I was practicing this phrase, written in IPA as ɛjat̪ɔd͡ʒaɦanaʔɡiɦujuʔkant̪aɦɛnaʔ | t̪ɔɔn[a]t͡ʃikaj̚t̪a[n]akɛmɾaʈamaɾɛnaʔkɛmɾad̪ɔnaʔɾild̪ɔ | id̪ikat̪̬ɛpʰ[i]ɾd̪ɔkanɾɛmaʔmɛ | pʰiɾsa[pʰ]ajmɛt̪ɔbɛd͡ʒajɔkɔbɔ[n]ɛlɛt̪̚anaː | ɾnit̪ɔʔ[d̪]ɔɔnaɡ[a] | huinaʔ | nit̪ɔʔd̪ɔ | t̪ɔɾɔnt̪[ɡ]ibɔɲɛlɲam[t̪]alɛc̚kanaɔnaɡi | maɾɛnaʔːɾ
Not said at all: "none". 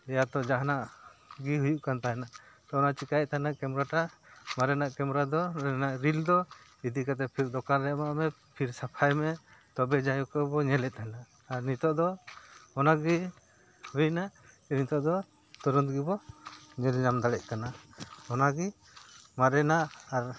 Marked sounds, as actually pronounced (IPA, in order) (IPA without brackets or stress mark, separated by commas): a, n, i, pʰ, ɲ, d̪, i, ɡ, d̪